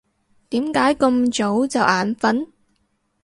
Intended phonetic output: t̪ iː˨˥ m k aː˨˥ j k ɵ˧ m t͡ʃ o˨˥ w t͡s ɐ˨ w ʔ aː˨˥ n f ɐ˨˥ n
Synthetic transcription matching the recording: t̪ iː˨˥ m k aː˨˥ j k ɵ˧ m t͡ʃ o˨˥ w t͡s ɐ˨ w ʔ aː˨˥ n f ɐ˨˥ n